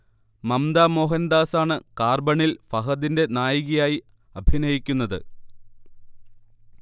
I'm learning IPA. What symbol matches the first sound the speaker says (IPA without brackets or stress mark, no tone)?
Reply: m